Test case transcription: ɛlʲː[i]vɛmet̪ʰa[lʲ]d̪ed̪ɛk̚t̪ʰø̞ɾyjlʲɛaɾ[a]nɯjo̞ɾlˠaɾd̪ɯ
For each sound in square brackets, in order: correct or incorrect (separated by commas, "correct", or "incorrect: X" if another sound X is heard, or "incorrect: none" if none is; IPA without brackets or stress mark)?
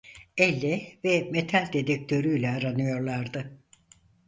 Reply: incorrect: ɛ, correct, correct